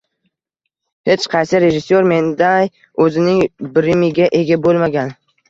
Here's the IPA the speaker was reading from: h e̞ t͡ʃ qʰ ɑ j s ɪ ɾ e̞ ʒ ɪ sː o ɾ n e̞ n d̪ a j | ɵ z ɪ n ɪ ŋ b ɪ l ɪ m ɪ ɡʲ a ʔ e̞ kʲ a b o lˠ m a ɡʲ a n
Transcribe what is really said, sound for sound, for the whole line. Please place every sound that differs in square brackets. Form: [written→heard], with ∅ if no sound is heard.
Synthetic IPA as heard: h e̞ t͡ʃ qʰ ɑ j s ɪ ɾ e̞ ʒ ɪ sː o ɾ [n→m] e̞ n d̪ a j | ɵ z ɪ n ɪ ŋ b ɪ [l→ɾ] ɪ m ɪ ɡʲ a ʔ e̞ [kʲ→ɡʲ] a b o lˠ m a ɡʲ a n